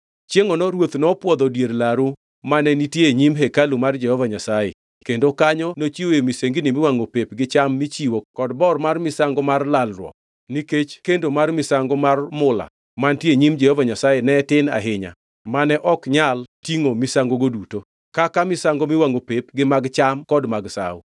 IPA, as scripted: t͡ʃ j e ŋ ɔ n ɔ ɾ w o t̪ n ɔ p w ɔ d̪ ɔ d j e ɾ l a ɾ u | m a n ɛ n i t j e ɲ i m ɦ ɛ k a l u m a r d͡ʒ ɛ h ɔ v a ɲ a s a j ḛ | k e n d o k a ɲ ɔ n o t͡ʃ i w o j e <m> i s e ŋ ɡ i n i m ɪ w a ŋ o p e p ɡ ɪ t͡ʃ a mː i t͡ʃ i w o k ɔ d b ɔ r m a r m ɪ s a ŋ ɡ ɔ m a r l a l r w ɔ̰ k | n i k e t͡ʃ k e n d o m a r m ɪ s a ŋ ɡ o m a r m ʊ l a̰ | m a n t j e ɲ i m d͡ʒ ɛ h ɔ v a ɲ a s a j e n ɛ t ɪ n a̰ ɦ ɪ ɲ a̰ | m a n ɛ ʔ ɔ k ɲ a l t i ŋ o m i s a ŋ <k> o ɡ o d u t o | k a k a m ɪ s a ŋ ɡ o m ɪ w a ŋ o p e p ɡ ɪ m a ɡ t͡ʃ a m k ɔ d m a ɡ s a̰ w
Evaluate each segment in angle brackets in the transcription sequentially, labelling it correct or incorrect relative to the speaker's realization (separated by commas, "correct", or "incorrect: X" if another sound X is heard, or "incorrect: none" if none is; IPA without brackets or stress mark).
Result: correct, incorrect: ɡ